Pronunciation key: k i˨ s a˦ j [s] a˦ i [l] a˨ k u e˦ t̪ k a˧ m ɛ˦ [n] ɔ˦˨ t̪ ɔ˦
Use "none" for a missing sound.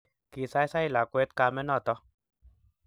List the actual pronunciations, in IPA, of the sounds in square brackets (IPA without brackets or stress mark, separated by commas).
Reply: s, l, n